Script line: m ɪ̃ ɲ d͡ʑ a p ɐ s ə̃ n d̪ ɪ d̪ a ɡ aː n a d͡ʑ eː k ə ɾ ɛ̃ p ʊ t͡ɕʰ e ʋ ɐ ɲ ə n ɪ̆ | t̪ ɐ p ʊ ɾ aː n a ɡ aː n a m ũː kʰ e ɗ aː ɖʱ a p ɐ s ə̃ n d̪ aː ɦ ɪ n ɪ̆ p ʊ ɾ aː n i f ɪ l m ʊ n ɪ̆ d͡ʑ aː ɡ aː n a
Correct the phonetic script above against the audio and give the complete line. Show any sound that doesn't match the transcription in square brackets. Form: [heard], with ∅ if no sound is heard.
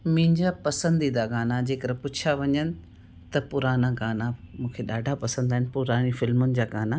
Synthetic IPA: m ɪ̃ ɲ d͡ʑ a p ɐ s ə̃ n d̪ [i] d̪ a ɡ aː n a d͡ʑ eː k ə ɾ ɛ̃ p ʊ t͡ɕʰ [a] ʋ ɐ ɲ ə n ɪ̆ | t̪ ɐ p ʊ ɾ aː n a ɡ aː n a m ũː kʰ e ɗ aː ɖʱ a p ɐ s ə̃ n d̪ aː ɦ ɪ n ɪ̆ p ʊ ɾ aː n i f ɪ l m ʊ n ɪ̆ d͡ʑ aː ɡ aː n a

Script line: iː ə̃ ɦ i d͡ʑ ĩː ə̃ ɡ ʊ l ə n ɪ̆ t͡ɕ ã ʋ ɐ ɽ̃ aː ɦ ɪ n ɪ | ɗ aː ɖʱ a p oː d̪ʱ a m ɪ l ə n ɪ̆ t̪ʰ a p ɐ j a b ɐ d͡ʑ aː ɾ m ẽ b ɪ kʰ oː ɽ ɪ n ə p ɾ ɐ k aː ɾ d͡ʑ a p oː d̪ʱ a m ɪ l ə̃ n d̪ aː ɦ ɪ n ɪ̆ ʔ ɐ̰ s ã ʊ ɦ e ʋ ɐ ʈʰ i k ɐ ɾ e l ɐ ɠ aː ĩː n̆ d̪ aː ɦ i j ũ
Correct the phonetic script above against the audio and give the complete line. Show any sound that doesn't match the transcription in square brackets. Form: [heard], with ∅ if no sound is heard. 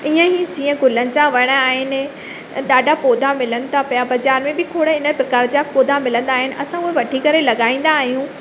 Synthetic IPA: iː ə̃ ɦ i d͡ʑ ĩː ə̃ ɡ ʊ l ə n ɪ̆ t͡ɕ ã ʋ ɐ ɽ̃ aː ɦ ɪ n ɪ | ɗ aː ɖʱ a p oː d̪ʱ a m ɪ l ə n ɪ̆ t̪ʰ a p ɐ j a b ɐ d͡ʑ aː ɾ m ẽ b ɪ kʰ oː ɽ ɪ n ə p ɾ ɐ k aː ɾ d͡ʑ a p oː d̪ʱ a m ɪ l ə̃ n d̪ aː ɦ ɪ n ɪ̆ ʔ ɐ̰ s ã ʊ ɦ e ʋ ɐ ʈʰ i k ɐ ɾ e l ɐ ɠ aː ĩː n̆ d̪ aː ɦ i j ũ

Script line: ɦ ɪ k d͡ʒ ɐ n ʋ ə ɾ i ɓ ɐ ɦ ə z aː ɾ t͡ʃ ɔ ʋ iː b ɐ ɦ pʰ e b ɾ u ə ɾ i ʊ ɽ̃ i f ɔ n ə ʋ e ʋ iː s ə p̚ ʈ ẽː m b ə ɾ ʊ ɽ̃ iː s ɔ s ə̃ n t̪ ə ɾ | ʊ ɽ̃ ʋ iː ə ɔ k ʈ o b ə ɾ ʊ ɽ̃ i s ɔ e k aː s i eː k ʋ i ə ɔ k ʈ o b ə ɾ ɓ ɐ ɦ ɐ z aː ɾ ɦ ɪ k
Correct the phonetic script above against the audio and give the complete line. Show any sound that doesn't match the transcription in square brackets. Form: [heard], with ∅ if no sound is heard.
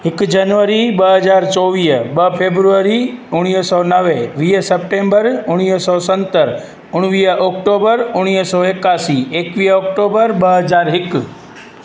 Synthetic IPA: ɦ ɪ k d͡ʒ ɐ n ʋ ə ɾ i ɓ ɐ ɦ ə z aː ɾ t͡ʃ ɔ ʋ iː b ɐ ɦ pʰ e b ɾ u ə ɾ i ʊ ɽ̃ i [s] ɔ n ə ʋ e ʋ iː s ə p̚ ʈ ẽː m b ə ɾ ʊ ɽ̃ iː s ɔ s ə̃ n t̪ ə ɾ | ʊ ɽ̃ ʋ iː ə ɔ k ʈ o b ə ɾ ʊ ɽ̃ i s ɔ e k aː s i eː k ʋ i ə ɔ k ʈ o b ə ɾ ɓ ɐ ɦ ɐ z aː ɾ ɦ ɪ k

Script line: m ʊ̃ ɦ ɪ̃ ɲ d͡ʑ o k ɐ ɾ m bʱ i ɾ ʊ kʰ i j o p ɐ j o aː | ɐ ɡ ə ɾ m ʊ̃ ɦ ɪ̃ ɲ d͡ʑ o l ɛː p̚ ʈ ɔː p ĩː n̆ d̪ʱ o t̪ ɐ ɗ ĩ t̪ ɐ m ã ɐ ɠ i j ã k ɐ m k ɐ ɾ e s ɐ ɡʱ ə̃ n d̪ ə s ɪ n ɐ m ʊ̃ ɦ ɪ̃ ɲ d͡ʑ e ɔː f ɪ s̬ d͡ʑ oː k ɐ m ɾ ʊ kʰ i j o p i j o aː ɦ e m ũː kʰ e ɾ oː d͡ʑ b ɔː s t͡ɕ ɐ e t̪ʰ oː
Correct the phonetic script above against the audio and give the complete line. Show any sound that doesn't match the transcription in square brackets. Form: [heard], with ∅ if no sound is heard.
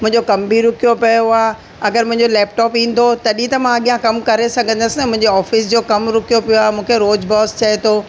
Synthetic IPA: m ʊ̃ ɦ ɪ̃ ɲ d͡ʑ o k ɐ [∅] m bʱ i ɾ ʊ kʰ i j o p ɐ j o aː | ɐ ɡ ə ɾ m ʊ̃ ɦ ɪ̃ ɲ d͡ʑ o l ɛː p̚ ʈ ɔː p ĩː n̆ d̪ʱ o t̪ ɐ ɗ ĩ t̪ ɐ m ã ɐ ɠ i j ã k ɐ m k ɐ ɾ e s ɐ ɡʱ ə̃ n d̪ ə s ɪ n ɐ m ʊ̃ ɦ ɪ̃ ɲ d͡ʑ e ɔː f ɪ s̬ d͡ʑ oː k ɐ m ɾ ʊ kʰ i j o p i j o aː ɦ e m ũː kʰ e ɾ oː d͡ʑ b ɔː s t͡ɕ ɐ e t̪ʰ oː

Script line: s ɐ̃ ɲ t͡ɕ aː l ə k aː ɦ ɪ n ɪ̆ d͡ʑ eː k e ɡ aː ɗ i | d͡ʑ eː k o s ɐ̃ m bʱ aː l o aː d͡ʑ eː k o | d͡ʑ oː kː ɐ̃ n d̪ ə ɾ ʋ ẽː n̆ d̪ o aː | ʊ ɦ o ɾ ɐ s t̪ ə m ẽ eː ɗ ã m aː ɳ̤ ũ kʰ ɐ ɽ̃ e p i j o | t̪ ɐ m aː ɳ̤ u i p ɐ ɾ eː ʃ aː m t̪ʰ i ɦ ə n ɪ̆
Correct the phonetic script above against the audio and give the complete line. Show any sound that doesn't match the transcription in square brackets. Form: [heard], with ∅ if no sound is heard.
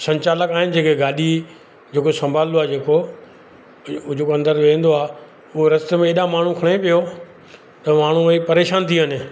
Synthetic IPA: s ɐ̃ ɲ t͡ɕ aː l ə k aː ɦ ɪ n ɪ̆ d͡ʑ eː k e ɡ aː ɗ i | d͡ʑ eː k o s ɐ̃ m bʱ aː l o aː d͡ʑ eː k o | d͡ʑ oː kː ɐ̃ n d̪ ə ɾ ʋ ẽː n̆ d̪ o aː | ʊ ɦ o ɾ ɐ s t̪ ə m ẽ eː ɗ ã m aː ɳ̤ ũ kʰ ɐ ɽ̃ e p i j o | t̪ ɐ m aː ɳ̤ u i p ɐ ɾ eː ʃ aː [n] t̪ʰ i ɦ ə n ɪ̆

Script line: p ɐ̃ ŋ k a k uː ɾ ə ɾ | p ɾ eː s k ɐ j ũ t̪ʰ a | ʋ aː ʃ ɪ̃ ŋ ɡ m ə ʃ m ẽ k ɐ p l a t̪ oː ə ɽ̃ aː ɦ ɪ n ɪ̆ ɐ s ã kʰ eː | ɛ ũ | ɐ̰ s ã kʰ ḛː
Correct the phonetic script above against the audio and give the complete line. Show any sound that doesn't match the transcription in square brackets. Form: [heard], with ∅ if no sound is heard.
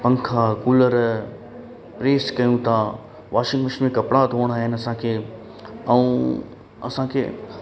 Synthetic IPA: p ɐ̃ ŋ [kʰ] a k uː [l] ə ɾ | p ɾ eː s k ɐ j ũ t̪ʰ a | ʋ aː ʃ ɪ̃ ŋ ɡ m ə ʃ m ẽ k ɐ p [ɽ] a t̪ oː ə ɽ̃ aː ɦ ɪ n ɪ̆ ɐ s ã kʰ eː | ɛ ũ | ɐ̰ s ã kʰ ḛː

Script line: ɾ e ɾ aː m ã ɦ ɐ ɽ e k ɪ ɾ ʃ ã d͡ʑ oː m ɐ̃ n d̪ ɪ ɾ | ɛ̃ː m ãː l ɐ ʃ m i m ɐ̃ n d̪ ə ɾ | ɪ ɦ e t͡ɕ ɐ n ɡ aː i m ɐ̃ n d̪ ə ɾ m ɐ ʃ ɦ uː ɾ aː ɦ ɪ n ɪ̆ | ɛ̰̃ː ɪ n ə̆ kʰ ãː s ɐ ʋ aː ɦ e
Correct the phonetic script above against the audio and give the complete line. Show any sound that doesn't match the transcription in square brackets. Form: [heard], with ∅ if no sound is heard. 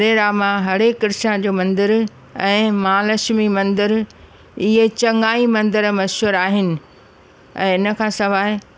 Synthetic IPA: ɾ e ɾ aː m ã ɦ ɐ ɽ e k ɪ ɾ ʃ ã d͡ʑ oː m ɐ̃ n d̪ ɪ ɾ | ɛ̃ː m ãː l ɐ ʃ m i m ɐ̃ n d̪ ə ɾ | ɪ ɦ e t͡ɕ ɐ [ŋ] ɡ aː i m ɐ̃ n d̪ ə ɾ m ɐ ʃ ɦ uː ɾ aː ɦ ɪ n ɪ̆ | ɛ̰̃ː ɪ n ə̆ kʰ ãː s ɐ ʋ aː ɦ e

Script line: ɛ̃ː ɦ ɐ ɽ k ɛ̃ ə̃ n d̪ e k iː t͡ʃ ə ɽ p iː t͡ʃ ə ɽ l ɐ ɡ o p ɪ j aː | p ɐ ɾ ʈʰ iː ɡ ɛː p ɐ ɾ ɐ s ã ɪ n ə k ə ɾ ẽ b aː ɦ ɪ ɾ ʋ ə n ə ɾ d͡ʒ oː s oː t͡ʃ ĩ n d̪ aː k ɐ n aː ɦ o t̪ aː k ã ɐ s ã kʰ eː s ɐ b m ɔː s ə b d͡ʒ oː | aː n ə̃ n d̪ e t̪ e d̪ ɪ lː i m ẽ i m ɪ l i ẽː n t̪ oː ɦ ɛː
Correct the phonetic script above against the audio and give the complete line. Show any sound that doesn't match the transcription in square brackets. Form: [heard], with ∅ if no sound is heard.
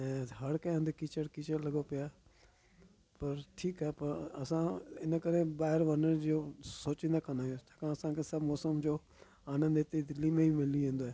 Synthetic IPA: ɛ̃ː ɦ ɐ ɽ k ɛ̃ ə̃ n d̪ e k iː t͡ʃ ə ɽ [k] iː t͡ʃ ə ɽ l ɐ ɡ o p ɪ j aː | p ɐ ɾ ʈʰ iː [k] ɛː p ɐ ɾ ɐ s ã ɪ n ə k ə ɾ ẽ b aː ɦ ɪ ɾ ʋ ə n ə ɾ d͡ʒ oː s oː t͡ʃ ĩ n d̪ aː k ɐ n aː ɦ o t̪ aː k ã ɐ s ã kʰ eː s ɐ b m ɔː s ə [m] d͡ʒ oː | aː n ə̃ n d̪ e t̪ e d̪ ɪ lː i m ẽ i m ɪ l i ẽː n [d̪] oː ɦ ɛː

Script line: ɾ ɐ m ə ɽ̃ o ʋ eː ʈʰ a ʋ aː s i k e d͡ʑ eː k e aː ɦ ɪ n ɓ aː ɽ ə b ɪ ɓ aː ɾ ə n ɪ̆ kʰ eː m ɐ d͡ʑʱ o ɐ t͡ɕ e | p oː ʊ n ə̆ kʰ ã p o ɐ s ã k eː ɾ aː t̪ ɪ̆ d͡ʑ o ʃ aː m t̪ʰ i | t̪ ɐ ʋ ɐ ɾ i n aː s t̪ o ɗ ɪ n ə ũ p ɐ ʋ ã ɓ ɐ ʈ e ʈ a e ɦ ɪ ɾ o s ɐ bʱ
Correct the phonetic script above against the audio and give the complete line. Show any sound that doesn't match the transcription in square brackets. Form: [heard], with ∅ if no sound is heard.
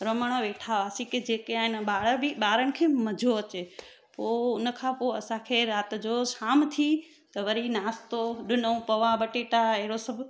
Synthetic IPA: ɾ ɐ m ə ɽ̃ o ʋ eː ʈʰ a ʋ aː s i k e d͡ʑ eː k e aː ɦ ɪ n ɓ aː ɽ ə b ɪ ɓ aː ɾ ə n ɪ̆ kʰ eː m ɐ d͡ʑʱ o ɐ t͡ɕ e | p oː ʊ n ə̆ kʰ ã p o ɐ s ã [kʰ] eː ɾ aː t̪ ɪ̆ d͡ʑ o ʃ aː m t̪ʰ i | t̪ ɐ ʋ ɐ ɾ i n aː s t̪ o ɗ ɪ n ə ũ p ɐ ʋ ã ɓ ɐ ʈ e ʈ a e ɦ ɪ ɾ o s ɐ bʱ

